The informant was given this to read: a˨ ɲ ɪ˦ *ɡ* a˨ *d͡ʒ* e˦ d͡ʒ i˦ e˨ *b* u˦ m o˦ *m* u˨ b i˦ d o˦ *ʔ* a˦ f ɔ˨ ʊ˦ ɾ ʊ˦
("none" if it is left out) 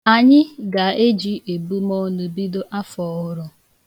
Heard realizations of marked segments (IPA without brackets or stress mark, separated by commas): ɡ, none, b, n, ʔ